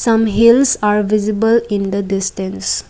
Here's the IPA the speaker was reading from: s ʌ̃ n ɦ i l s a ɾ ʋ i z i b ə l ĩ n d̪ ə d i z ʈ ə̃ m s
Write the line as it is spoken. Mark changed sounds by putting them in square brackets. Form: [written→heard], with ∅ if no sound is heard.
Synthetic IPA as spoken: s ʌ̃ [n→m] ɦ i l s a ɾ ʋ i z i b ə l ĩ n d̪ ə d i [z→s] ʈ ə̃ [m→n] s

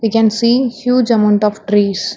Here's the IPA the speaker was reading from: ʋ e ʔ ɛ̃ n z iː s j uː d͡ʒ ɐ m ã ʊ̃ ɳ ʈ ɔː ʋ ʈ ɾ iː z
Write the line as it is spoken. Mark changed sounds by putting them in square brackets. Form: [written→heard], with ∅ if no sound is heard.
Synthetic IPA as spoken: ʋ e [ʔ→k] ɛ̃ n [z→s] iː [s→h] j uː d͡ʒ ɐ m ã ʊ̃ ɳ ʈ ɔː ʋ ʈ ɾ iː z

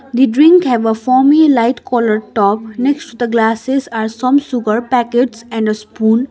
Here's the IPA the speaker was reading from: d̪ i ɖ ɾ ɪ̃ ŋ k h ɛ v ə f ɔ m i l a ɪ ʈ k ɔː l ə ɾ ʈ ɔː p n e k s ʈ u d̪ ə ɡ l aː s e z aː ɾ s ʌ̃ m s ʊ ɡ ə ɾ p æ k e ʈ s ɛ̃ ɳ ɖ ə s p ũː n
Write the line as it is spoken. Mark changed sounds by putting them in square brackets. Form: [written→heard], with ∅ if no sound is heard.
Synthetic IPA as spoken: d̪ i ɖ ɾ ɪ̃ ŋ k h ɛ [v→ʋ] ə f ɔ m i l a ɪ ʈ k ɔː l ə ɾ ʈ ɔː p n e k s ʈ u d̪ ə ɡ l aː s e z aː ɾ s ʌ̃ m s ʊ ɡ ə ɾ p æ k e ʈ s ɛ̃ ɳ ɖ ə s p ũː n

